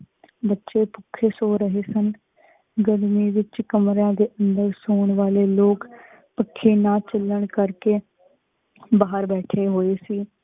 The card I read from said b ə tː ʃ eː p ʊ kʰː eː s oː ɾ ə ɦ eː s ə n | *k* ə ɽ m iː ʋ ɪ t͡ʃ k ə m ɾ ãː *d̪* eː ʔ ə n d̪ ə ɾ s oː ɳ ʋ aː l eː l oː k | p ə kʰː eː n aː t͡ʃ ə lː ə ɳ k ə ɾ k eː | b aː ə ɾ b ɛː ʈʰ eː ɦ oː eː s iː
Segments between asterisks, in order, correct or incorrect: incorrect: ɡ, correct

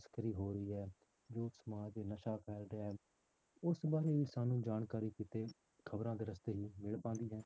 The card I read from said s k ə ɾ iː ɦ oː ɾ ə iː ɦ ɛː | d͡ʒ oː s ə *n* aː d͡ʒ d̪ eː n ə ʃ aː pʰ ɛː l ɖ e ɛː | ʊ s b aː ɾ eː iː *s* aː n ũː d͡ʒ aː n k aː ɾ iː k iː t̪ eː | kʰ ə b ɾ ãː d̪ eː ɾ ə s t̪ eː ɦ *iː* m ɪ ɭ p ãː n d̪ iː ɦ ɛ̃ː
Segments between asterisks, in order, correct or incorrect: incorrect: m, correct, correct

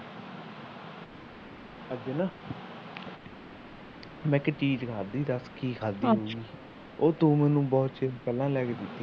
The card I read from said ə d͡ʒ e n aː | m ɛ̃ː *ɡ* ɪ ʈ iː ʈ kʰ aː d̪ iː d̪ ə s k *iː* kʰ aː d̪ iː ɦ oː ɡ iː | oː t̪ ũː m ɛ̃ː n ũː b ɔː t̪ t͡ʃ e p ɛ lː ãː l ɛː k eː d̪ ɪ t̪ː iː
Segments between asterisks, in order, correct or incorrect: incorrect: k, correct

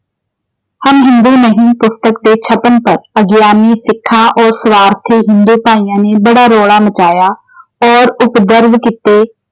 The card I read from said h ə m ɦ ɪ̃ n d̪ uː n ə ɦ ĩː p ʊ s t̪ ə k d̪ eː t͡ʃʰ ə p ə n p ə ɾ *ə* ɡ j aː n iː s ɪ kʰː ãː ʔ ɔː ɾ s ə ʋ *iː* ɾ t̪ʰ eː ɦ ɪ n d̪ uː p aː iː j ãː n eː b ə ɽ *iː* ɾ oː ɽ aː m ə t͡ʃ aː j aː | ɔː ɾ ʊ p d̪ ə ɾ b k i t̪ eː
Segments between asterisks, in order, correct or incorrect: correct, incorrect: aː, incorrect: aː

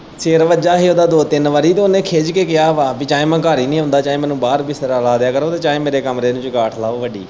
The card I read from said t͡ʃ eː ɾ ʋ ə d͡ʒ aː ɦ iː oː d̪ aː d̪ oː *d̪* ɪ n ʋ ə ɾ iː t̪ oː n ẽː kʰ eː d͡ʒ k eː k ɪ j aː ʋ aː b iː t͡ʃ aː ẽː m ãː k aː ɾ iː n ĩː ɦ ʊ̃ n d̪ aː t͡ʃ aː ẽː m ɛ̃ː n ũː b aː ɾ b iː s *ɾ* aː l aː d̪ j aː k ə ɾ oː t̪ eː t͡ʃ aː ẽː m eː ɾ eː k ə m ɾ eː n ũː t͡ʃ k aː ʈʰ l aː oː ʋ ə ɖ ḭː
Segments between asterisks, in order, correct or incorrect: incorrect: t̪, correct

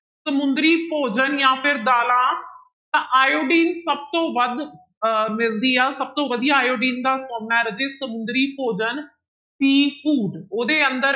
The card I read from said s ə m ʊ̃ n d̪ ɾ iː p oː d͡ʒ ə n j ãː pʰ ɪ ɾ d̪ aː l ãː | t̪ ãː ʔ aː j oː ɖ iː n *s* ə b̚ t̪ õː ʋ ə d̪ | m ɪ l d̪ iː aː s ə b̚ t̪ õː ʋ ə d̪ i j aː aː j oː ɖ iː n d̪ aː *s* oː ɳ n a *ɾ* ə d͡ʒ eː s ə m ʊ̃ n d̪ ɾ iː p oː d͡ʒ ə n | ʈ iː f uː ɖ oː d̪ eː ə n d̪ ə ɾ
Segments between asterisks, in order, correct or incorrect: correct, correct, correct

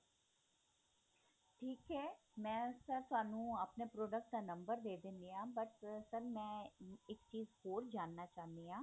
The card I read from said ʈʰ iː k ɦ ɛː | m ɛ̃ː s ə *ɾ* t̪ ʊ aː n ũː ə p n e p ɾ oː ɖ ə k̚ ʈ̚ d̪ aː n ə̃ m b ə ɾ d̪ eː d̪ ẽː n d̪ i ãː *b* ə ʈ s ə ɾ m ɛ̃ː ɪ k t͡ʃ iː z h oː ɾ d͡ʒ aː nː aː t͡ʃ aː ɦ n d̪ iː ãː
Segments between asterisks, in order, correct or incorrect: correct, correct

